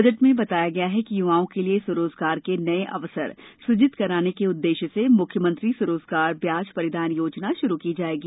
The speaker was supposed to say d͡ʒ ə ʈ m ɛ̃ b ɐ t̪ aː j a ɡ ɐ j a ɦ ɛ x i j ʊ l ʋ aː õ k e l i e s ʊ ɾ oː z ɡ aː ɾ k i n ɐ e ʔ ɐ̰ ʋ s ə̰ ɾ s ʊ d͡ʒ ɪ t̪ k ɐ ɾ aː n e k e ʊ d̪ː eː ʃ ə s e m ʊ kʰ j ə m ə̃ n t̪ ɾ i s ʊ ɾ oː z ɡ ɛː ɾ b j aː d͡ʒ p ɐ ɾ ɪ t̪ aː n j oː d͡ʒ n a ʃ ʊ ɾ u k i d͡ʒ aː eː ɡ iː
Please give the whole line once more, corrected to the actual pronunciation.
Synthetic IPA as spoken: d͡ʒ ə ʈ m ẽ b ɐ t̪ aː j a ɡ ɐ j a ɦ ɛ k i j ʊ ʋ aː õ k e l i e s ʊ ɾ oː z ɡ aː ɾ k e n ɐ e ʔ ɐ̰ ʋ s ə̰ ɾ s ʊ d͡ʒ ɪ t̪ k ɐ ɾ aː n e k e ʊ d̪ː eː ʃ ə s e m ʊ kʰ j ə m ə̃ n t̪ ɾ i s ʊ ɾ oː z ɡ aː ɾ b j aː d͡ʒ p ɐ ɾ ɪ d̪ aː n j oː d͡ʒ n a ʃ ʊ ɾ u k i d͡ʒ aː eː ɡ iː